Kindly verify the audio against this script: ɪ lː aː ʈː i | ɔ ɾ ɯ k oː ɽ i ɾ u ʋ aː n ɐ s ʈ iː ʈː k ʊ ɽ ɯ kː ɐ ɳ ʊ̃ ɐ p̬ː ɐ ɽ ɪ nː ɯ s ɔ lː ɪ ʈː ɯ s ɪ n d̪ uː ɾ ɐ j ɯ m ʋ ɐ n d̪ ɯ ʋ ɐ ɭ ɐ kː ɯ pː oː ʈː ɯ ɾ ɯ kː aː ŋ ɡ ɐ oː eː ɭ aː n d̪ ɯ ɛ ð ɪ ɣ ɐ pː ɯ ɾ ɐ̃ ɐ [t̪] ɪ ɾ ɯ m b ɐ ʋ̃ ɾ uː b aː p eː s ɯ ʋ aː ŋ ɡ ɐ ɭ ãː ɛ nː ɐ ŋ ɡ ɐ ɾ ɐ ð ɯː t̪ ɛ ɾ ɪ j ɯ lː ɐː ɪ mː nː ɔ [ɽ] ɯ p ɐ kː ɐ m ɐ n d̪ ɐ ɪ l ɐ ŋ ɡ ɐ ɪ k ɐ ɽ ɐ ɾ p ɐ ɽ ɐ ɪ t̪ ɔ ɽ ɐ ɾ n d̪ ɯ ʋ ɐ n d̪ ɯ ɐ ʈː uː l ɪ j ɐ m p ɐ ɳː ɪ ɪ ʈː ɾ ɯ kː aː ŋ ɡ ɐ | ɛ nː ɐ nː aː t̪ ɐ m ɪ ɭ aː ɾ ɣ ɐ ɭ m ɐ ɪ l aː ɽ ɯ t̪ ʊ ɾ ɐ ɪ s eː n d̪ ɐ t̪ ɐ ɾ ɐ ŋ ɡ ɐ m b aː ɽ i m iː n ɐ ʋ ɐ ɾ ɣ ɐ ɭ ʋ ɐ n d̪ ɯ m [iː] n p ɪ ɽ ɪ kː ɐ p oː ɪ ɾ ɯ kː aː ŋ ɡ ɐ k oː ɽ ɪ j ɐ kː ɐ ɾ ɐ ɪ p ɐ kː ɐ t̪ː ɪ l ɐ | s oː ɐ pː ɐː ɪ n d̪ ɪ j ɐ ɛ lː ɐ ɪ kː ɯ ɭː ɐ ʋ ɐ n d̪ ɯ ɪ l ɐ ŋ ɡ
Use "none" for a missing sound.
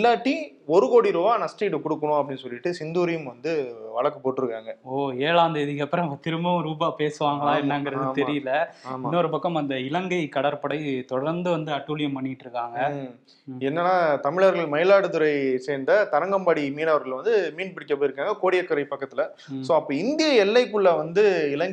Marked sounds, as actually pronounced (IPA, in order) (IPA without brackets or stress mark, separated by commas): t̪, ɾ, iː